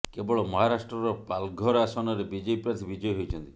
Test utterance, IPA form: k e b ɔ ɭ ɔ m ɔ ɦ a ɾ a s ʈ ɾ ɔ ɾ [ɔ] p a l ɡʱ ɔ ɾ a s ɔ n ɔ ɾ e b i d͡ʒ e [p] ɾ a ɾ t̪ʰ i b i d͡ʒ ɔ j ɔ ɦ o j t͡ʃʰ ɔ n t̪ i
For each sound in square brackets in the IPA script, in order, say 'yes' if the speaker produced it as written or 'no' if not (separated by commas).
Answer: yes, yes